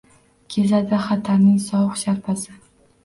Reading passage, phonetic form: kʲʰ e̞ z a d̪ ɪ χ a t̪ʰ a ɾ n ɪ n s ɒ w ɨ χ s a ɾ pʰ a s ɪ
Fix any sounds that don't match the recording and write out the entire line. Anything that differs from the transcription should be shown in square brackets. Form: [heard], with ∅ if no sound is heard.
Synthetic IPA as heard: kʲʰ e̞ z a d̪ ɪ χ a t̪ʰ a ɾ n ɪ [ŋ] s ɒ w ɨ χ [ʃ] a ɾ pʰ a s ɪ